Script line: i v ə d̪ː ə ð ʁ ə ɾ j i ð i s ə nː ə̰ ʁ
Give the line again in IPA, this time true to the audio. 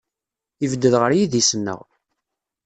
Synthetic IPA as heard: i v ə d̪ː ə ð ʁ ə ɾ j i ð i s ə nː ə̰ ʁ